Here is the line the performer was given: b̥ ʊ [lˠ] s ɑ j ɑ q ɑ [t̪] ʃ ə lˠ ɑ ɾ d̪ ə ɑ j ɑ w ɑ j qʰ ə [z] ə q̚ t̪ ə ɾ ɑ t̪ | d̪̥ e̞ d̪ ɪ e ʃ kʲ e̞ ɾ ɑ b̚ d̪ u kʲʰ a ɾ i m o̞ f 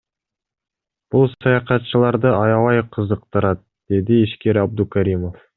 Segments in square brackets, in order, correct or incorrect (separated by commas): correct, correct, correct